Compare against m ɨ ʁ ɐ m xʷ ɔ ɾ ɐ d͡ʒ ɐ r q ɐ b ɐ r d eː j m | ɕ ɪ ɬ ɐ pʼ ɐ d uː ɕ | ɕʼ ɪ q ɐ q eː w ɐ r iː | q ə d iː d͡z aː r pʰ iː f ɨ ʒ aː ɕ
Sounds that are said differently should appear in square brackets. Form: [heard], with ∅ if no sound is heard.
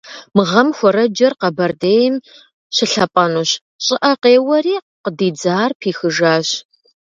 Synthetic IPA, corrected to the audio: m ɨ ʁ ɐ m xʷ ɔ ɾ ɐ d͡ʒ ɐ r q ɐ b ɐ r d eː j m | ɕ ɪ ɬ ɐ pʼ ɐ [n] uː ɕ | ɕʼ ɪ [ʔ] ɐ q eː w ɐ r iː | q ə d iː d͡z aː r pʰ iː [x] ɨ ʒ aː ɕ

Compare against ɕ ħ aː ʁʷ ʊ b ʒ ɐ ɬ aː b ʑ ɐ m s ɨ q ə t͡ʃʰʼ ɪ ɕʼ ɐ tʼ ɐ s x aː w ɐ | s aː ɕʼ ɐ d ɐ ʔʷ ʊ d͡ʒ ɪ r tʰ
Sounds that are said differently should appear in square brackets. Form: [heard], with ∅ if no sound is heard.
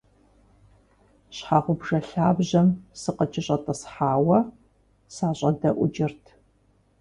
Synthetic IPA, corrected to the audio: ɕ ħ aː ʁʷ ʊ b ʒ ɐ ɬ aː b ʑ ɐ m s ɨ q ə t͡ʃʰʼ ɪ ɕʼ ɐ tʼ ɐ s [ħ] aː w ɐ | s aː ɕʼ ɐ d ɐ ʔʷ ʊ d͡ʒ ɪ r tʰ

